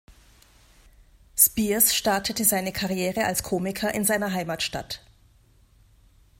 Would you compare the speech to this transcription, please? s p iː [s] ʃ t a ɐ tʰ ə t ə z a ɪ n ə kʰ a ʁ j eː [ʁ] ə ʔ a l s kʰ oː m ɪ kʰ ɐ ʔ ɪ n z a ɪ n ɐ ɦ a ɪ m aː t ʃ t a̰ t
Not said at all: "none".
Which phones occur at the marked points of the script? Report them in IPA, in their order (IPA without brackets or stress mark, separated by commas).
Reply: s, ʁ